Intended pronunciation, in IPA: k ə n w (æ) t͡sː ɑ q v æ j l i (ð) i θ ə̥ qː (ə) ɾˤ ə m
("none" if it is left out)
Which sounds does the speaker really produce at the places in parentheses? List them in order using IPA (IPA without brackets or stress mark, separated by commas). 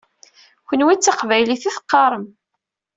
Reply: i, θ, ɑ